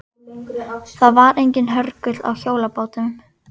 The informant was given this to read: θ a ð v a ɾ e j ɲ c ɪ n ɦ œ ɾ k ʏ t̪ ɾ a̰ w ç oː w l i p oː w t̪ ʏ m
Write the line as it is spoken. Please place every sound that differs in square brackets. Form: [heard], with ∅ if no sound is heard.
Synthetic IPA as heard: θ a ð v a ɾ e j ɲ c ɪ n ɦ œ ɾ k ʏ t̪ [l] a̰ w ç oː w l [a] p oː w t̪ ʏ m